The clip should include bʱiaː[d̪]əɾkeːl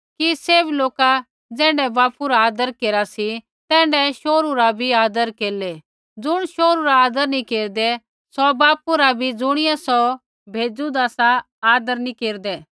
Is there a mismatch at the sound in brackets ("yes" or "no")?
no